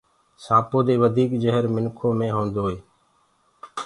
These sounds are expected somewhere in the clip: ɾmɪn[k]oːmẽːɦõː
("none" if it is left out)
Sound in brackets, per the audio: kʰ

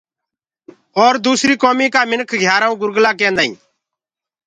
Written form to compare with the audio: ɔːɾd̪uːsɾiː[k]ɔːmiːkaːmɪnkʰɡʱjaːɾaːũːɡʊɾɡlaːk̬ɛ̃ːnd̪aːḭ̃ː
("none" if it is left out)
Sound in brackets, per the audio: k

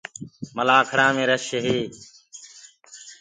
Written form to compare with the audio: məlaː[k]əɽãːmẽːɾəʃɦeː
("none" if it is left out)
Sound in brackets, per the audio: kʰ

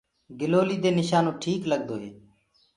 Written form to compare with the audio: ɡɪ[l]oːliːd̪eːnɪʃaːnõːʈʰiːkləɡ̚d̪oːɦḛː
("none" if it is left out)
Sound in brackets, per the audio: l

